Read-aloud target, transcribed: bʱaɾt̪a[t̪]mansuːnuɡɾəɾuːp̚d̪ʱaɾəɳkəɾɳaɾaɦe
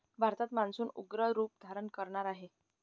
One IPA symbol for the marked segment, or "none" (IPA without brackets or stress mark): t̪